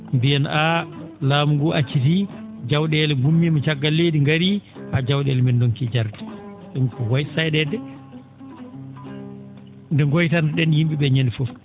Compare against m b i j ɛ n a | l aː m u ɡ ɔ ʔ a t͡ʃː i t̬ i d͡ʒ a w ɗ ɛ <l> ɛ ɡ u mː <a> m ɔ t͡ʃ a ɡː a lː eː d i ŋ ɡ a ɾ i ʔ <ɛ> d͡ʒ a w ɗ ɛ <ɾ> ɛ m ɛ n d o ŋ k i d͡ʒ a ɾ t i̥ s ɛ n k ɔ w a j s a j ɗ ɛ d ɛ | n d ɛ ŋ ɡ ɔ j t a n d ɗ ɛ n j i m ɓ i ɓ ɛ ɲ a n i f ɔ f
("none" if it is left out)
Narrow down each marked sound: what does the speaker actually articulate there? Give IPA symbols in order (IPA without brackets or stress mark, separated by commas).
l, i, a, l